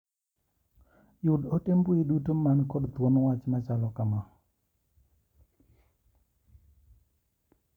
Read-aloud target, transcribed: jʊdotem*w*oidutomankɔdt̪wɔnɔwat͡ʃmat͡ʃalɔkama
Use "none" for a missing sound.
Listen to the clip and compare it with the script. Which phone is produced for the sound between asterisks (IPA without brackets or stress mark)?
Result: b